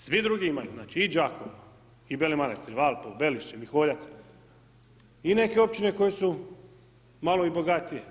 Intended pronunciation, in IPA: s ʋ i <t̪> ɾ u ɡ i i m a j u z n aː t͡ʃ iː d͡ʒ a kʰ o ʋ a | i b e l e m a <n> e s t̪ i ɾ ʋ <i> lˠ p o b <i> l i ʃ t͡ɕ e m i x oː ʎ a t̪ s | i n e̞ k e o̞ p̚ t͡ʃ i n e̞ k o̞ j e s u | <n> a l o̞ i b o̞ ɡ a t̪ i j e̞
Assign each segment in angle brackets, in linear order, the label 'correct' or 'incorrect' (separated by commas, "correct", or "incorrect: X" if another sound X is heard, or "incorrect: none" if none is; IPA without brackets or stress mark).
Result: incorrect: d̪, correct, incorrect: a, incorrect: e, incorrect: m